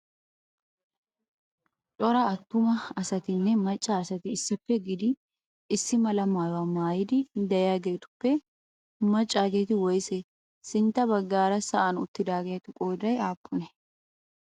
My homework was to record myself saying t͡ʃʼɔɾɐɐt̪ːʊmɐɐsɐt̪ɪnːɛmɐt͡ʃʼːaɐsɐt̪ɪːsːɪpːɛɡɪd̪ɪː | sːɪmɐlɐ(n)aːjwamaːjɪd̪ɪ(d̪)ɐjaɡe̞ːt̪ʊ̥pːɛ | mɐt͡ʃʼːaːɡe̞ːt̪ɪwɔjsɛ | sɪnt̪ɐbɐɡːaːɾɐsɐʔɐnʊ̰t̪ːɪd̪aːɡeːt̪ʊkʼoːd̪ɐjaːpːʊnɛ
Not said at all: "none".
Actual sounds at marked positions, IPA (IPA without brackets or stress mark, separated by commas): m, d̪